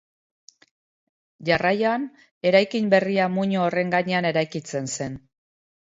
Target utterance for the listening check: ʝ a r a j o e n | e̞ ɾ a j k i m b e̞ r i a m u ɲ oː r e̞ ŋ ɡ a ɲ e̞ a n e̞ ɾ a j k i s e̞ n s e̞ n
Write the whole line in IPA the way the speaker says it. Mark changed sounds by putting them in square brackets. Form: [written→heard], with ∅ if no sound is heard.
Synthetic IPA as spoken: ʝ a r a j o [e→a] n | e̞ ɾ a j k i m b e̞ r i a m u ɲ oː r e̞ ŋ ɡ a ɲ e̞ a n e̞ ɾ a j k i [s→t͡s] e̞ n s e̞ n